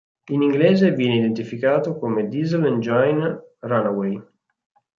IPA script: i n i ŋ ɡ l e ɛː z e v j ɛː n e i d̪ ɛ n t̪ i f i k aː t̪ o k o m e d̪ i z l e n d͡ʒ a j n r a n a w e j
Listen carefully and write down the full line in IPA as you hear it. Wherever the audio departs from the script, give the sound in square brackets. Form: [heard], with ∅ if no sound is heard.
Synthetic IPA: i n i ŋ ɡ l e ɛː z e v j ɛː n e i d̪ [e] n t̪ i f i k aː t̪ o k o m e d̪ i z l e n d͡ʒ a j n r a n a w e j